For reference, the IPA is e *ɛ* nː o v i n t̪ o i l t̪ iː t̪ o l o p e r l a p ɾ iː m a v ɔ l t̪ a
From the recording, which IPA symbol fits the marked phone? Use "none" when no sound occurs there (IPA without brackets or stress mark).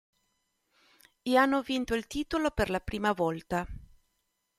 a